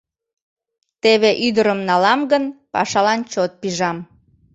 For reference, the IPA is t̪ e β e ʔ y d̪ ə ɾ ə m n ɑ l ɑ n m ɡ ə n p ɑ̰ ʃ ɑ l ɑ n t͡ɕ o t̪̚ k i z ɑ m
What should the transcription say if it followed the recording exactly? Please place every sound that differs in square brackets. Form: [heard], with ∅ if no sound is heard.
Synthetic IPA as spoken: t̪ e β e ʔ y d̪ ə ɾ ə m n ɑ l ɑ [∅] m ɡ ə n p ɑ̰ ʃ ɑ l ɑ n t͡ɕ o t̪̚ [p] i [ʒ] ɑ m